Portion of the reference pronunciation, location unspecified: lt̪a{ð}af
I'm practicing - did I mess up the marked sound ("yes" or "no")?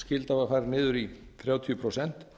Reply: yes